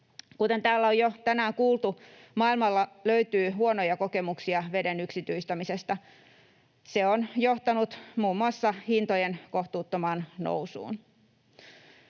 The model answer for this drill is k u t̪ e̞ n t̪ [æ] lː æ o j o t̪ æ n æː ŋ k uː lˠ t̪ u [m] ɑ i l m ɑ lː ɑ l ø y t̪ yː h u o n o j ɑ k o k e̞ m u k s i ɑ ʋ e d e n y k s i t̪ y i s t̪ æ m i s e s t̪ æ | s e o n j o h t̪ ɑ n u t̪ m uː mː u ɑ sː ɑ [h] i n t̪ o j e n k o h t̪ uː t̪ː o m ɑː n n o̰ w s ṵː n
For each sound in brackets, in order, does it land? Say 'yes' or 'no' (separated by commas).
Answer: no, yes, yes